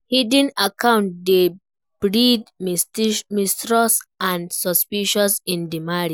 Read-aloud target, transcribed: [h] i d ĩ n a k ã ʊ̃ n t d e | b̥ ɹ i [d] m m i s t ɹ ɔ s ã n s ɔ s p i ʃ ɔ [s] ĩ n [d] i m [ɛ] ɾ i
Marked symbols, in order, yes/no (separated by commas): yes, yes, yes, yes, no